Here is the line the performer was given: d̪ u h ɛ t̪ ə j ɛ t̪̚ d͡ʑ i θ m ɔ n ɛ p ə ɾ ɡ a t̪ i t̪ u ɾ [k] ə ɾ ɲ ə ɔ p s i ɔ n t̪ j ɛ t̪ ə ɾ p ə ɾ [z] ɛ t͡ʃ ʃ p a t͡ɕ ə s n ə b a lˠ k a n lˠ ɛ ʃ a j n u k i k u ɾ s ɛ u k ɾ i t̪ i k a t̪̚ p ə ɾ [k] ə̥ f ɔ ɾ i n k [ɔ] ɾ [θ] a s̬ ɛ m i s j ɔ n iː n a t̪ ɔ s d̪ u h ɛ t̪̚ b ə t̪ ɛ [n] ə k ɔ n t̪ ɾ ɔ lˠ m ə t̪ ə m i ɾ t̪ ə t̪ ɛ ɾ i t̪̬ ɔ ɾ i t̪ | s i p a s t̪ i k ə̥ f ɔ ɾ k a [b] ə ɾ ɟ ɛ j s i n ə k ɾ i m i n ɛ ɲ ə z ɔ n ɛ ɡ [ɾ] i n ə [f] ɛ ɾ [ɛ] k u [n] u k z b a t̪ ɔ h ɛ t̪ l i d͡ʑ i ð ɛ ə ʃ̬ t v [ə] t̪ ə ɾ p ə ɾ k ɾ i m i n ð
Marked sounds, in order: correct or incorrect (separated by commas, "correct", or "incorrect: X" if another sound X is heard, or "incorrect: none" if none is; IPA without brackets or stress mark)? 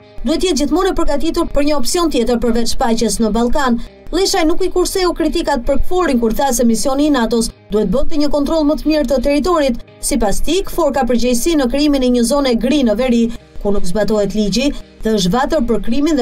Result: incorrect: p, incorrect: v, correct, incorrect: u, correct, incorrect: ɲ, incorrect: p, correct, incorrect: v, incorrect: i, correct, incorrect: a